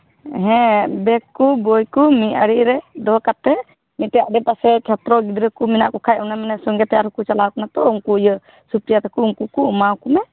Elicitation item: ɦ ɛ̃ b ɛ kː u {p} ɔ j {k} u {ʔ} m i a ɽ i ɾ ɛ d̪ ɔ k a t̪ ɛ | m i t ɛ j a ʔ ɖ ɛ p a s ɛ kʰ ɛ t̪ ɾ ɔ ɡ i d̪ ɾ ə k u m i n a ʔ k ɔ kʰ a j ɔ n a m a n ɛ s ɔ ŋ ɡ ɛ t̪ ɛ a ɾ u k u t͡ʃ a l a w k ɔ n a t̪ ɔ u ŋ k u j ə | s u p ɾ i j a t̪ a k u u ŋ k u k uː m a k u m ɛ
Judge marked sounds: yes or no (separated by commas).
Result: no, yes, no